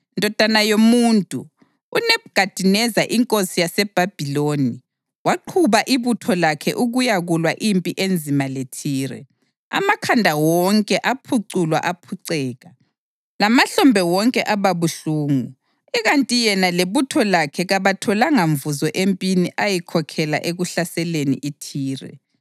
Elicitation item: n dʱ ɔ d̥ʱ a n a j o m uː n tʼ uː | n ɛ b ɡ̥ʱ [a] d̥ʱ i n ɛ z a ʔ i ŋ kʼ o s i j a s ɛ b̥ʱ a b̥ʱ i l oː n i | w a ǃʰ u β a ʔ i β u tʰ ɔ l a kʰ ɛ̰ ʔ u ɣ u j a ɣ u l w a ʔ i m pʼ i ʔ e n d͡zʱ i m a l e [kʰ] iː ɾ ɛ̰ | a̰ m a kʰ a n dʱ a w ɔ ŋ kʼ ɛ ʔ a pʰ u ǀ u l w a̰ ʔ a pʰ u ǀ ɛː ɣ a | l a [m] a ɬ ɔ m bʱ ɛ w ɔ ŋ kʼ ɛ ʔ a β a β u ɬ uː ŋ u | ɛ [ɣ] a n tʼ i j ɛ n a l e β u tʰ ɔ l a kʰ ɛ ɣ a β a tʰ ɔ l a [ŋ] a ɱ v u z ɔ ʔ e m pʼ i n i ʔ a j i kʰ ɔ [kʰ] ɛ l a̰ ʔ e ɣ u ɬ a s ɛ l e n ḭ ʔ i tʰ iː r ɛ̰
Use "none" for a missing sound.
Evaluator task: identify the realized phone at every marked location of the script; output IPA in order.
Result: a, tʰ, m, ɣ, ŋ, kʰ

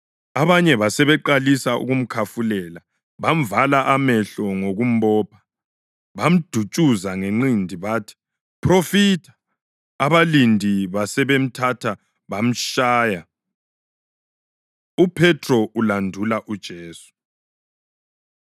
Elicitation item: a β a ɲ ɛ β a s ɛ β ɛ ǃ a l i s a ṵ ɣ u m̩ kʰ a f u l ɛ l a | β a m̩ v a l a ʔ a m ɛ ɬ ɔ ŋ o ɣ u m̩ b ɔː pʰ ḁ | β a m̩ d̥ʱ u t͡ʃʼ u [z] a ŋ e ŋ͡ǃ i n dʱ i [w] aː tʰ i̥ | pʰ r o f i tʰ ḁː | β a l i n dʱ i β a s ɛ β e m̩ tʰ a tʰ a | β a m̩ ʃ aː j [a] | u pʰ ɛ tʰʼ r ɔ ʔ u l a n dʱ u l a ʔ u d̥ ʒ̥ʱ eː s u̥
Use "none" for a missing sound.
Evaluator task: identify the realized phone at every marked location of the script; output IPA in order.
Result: z, β, a

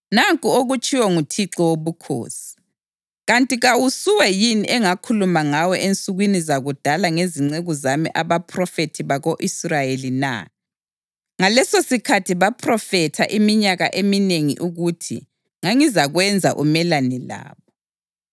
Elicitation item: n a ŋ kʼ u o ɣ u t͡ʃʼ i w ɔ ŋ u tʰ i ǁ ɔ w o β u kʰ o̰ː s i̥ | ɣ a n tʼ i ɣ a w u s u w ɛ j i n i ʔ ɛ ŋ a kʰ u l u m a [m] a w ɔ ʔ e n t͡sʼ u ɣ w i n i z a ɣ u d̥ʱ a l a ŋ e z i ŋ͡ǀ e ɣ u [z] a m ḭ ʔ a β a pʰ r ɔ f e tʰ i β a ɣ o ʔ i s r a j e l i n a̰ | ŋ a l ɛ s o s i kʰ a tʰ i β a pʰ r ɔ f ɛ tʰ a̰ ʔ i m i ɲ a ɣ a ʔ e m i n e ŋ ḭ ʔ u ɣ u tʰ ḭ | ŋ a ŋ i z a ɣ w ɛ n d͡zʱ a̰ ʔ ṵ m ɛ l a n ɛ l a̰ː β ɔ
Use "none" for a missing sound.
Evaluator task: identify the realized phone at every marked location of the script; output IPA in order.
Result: ŋ, z

